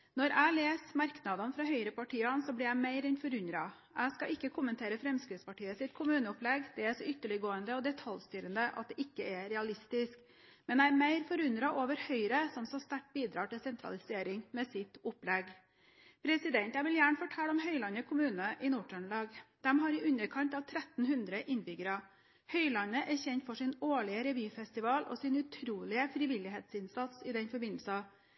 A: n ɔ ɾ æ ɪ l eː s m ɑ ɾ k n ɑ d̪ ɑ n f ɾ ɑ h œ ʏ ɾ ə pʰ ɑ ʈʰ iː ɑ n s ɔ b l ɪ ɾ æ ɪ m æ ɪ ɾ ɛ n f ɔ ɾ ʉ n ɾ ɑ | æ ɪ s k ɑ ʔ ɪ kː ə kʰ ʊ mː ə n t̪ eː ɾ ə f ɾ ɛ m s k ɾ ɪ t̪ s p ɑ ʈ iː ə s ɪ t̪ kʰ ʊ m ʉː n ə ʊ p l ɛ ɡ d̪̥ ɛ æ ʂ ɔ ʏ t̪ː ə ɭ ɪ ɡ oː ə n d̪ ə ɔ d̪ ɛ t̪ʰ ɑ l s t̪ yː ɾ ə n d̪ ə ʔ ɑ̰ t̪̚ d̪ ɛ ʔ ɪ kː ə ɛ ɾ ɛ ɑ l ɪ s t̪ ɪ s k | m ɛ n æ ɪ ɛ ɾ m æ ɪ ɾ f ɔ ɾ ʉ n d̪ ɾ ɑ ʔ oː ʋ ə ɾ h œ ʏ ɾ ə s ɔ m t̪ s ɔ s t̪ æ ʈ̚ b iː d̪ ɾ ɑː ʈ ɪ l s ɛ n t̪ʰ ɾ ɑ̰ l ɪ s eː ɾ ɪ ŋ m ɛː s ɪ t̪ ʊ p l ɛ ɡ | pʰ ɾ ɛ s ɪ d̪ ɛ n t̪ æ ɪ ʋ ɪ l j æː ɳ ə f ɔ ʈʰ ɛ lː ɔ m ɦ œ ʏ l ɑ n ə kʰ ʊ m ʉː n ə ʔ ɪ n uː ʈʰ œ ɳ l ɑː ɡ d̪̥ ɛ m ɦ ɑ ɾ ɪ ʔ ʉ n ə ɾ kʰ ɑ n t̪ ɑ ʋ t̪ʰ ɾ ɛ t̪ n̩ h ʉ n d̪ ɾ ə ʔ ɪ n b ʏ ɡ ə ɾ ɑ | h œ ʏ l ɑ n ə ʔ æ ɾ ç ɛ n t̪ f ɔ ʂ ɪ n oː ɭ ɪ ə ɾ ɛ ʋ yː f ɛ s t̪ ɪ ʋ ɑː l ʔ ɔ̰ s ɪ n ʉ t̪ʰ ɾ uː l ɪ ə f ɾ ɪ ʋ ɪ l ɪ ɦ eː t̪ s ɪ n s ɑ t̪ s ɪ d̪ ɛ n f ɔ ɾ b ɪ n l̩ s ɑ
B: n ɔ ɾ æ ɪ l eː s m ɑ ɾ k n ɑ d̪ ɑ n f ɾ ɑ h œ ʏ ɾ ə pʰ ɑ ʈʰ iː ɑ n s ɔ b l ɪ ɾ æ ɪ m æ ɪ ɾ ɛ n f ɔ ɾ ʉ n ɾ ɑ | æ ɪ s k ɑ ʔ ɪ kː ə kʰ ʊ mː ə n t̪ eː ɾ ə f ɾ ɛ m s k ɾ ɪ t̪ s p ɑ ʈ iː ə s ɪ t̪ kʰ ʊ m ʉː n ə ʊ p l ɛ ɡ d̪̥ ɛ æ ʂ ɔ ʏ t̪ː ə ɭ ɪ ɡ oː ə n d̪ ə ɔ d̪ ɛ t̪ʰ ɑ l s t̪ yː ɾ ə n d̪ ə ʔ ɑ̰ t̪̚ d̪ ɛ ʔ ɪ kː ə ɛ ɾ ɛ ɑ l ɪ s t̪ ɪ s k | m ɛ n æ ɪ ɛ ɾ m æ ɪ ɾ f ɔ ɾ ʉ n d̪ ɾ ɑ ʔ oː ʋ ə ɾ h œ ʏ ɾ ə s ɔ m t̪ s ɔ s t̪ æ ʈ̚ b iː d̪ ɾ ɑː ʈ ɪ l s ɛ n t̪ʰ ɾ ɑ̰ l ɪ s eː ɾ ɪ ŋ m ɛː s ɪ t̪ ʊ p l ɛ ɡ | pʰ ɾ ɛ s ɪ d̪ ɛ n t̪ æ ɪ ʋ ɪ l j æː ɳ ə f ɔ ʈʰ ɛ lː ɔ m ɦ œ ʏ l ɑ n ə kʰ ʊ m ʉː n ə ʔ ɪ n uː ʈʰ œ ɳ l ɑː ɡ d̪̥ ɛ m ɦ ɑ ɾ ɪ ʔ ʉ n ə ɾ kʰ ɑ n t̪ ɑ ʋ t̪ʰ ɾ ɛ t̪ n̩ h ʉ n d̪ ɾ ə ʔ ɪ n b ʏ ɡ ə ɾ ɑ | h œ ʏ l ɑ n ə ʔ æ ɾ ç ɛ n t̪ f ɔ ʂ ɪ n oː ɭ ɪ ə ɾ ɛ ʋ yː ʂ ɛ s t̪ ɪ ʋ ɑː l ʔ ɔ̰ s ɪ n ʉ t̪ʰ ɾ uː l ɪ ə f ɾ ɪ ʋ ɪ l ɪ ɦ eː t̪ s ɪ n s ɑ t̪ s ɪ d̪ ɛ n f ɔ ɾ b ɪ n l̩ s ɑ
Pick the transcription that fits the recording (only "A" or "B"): A